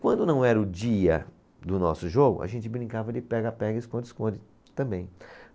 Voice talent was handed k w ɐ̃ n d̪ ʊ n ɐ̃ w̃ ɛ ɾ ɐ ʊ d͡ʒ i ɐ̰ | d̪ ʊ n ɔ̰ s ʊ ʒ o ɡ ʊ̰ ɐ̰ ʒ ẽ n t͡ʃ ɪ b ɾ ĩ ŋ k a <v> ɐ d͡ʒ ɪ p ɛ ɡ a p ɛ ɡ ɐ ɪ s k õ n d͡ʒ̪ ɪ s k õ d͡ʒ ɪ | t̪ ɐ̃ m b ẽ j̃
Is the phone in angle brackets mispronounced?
no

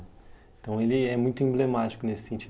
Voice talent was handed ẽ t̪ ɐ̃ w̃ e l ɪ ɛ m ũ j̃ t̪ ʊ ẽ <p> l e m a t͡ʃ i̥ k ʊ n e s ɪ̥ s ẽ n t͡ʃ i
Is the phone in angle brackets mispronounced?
yes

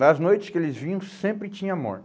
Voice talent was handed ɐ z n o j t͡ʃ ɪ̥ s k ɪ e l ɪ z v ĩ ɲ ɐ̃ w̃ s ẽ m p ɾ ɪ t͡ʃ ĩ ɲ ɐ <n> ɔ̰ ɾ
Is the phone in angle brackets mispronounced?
yes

